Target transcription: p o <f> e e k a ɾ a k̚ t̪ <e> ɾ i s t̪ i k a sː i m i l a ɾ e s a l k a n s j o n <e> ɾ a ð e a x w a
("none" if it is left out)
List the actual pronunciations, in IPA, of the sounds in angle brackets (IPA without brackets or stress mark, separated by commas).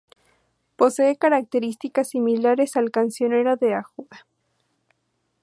s, e, e